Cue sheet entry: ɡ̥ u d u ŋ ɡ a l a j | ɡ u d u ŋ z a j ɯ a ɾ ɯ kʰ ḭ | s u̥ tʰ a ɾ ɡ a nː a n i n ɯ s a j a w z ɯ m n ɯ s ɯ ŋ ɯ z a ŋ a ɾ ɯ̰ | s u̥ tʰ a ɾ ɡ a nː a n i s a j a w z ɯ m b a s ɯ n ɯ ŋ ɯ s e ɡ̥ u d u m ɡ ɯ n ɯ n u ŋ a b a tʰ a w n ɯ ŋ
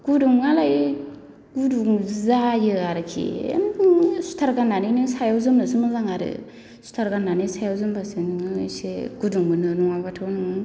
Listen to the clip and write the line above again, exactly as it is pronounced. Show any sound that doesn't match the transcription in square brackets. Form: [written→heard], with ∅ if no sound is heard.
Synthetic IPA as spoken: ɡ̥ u d u ŋ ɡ a l a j | ɡ u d u ŋ z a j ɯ a ɾ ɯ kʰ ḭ | s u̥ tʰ a ɾ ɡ a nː a n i n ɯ s a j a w z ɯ m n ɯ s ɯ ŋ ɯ z a ŋ a ɾ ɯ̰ | s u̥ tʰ a ɾ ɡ a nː a n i s a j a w z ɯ m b a s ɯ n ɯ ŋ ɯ s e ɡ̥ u d u [m→ŋ] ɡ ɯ n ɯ n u ŋ a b a tʰ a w n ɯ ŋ